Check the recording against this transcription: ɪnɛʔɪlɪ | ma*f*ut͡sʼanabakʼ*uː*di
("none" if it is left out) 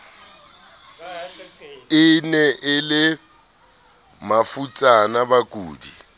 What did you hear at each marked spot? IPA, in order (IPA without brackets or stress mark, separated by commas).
f, uː